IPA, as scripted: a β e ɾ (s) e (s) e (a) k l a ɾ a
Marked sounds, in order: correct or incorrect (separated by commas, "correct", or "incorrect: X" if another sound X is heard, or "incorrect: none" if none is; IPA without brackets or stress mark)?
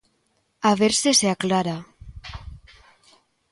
correct, correct, correct